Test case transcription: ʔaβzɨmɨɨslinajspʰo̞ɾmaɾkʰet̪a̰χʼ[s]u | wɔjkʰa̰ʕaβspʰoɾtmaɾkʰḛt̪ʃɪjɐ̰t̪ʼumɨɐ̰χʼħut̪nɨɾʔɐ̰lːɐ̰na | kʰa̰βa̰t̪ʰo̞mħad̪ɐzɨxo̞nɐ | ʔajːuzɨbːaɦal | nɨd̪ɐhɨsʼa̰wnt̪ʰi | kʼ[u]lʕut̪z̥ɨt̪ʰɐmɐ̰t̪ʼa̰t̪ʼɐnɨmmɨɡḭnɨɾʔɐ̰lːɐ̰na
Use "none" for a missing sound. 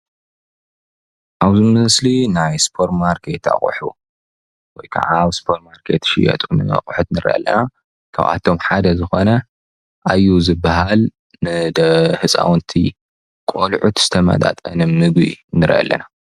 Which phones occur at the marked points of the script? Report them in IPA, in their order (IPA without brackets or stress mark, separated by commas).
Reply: ħ, o